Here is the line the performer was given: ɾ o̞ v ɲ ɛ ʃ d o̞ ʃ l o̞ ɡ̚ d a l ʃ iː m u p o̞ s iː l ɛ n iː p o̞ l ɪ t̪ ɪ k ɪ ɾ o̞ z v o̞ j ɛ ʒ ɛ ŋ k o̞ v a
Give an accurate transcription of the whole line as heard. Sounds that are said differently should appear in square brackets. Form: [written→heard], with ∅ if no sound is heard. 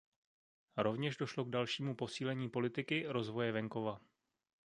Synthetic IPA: ɾ o̞ v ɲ ɛ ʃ d o̞ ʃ l o̞ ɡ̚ d a l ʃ iː m u p o̞ s iː l ɛ [n→ɲ] iː p o̞ l ɪ t̪ ɪ k ɪ ɾ o̞ z v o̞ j ɛ [ʒ→v] ɛ ŋ k o̞ v a